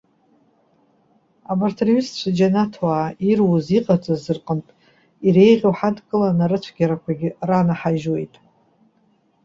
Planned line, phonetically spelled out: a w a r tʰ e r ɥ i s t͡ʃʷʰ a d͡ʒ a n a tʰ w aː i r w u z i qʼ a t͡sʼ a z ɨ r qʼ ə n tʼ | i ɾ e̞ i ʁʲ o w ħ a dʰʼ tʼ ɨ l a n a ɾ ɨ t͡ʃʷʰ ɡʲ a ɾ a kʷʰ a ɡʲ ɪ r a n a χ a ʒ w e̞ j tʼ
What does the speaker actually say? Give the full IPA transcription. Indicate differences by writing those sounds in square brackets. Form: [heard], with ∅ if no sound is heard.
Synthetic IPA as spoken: a [b] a r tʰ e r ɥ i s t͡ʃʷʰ a d͡ʒ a n a tʰ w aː i r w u z i qʼ a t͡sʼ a z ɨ r qʼ ə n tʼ | i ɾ e̞ [j] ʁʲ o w ħ a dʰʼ [kʼ] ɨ l a n a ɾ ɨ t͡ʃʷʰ ɡʲ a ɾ a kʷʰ a ɡʲ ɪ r a n a [ħ] a ʒ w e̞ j tʼ